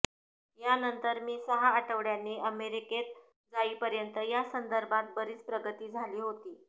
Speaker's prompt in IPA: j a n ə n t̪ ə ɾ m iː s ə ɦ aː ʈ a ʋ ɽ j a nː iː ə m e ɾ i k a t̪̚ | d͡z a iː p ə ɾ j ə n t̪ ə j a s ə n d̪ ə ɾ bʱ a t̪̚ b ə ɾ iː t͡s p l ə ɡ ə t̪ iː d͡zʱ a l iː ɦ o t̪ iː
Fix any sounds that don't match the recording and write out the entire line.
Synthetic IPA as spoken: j a n ə n t̪ ə ɾ m iː s ə ɦ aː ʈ ə ʋ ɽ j a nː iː ə m e ɾ i k e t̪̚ | d͡z a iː p ə ɾ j ə n t̪ ə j a s ə n d̪ ə ɾ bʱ a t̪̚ b ə ɾ iː t͡s p ɾ ə ɡ ə t̪ iː d͡zʱ a l iː ɦ o t̪ iː